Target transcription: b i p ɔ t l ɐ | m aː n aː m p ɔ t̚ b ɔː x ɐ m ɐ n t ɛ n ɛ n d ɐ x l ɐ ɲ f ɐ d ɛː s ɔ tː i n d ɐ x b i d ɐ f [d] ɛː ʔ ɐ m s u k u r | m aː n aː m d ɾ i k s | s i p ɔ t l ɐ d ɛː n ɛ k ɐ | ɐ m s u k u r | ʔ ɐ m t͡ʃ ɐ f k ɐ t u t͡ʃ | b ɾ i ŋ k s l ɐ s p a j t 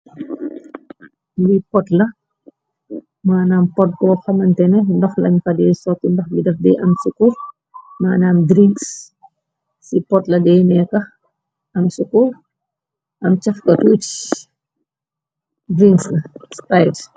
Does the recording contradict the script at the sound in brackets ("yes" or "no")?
no